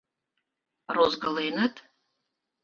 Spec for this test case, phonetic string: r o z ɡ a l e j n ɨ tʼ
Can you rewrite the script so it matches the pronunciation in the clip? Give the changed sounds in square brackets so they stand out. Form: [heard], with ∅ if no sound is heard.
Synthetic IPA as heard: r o z ɡ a l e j n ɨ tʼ